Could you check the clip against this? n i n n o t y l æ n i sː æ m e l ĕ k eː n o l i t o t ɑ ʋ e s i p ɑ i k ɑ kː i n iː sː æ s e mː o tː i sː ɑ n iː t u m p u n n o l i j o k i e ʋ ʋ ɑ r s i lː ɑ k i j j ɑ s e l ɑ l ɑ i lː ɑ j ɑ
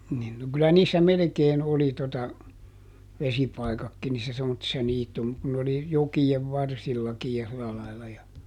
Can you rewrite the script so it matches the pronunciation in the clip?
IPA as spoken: n i n n o k y l æ n iː sː æ m e l ĕ k eː n o l i t o t ɑ ʋ e s i p ɑ i k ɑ kː i n iː sː æ s e mː o tː i sː ɑ n iː t u m k u n n o l i j o k i e ʋ ʋ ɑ r s i lː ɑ k i j j ɑ s i l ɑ l ɑ i lː ɑ j ɑ